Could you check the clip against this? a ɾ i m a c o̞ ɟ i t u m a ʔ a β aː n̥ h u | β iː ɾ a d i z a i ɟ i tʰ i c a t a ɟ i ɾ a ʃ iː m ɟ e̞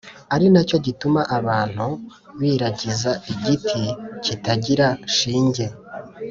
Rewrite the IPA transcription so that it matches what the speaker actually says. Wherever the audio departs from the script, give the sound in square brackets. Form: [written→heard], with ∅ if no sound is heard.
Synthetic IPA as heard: a ɾ i [m→n] a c o̞ ɟ i t u m a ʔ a β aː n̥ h u | β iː ɾ a [d→ɟ] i z a i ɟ i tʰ i c [a→i] t a ɟ i ɾ a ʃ iː [m→ɲ] ɟ e̞